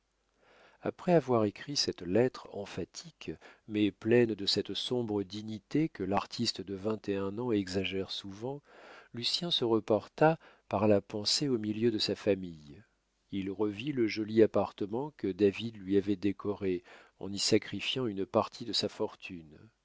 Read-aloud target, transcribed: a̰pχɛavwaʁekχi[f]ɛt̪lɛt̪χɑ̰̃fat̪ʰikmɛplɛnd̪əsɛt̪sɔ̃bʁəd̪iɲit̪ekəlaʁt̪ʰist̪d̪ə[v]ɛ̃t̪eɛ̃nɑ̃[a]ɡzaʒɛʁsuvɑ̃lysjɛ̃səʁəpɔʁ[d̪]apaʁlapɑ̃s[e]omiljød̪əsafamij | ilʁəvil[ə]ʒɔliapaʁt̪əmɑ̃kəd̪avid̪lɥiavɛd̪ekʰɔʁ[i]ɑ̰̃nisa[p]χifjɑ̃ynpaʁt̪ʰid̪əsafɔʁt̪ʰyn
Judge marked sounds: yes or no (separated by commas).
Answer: no, yes, no, no, yes, yes, no, no